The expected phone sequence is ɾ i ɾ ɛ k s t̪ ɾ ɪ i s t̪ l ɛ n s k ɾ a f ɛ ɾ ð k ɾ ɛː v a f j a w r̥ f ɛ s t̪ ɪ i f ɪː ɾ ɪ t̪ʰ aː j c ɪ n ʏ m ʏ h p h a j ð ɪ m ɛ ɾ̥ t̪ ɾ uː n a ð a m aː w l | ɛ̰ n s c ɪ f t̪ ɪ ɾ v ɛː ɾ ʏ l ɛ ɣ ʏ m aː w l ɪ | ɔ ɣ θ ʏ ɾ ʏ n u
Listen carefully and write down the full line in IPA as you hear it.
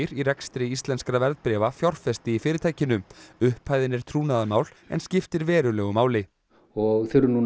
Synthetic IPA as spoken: ɾ i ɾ ɛ k s t̪ ɾ ɪ i s t̪ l ɛ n s k ɾ a v ɛ ɾ ð p ɾ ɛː v a f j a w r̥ f ɛ s t̪ ɪ i f ɪː ɾ ɪ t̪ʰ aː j c ɪ n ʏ m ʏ h p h a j ð ɪ n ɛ ɾ̥ t̪ʰ ɾ uː n a ð a m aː w l | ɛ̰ n s c ɪ f t̪ ɪ ɾ v ɛː ɾ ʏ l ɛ ɣ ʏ m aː w l ɪ | ɔ ɣ θ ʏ ɾ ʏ n u

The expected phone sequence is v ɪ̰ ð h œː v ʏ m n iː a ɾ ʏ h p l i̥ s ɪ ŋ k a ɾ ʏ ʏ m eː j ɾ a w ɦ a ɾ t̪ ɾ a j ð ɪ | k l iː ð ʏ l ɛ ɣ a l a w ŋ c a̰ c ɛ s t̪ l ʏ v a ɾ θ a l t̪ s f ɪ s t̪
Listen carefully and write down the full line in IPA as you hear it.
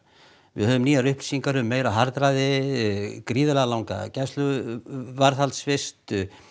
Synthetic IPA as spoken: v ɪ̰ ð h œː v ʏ m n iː a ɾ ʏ h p l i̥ s i ŋ k a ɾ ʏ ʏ m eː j ɾ a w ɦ a ɾ t̪ ɾ a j ð ɪ | k ɾ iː ð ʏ l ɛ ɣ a l a w ŋ k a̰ c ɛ s t̪ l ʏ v a ɾ θ a l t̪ s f ɪ s t̪

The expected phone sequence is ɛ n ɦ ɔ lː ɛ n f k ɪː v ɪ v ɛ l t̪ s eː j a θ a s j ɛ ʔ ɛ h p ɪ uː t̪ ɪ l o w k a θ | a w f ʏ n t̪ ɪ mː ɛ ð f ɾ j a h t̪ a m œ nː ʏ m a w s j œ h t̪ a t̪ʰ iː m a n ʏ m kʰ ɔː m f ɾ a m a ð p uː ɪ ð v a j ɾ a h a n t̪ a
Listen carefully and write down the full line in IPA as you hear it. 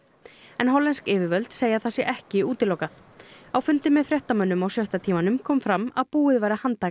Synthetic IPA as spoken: ɛ n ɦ ɔ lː ɛ n s k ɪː v ɪ v œ l t̪ s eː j a θ a s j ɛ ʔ ɛ h c ɪ uː t̪ ɪ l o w k a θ | a w f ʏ n t̪ ɪ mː ɛ ð f ɾ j ɛ h t̪ a m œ nː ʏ m a w s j œ h t̪ a t̪ʰ iː m a n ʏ m kʰ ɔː m f ɾ a m a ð p uː ɪ ð v a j ɾ a h a n t̪ a

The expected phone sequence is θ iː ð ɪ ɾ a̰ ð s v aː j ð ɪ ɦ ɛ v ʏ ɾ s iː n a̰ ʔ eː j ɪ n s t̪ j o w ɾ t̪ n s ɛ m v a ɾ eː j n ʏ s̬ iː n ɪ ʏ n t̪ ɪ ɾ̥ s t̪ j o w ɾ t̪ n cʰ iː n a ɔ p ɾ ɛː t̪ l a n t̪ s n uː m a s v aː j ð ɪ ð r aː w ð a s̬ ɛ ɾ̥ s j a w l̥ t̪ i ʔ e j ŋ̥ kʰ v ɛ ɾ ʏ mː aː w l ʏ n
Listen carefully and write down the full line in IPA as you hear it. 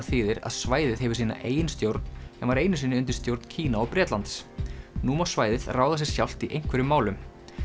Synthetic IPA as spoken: θ iː ð ɪ ɾ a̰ ð s v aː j ð ɪ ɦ ɛ v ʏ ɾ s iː n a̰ ʔ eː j ɪ n s t̪ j o w ɾ t̪ n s ɛ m v a ɾ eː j n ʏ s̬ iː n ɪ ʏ n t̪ ɪ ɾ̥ s t̪ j o w ɾ t̪ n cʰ iː n a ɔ p ɾ ɛː t̪ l a n t̪ s n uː m a s v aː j ð ɪ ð r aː w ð a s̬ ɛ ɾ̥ s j a w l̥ t̪ i ʔ e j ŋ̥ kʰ v ɛ ɾ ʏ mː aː w l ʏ m

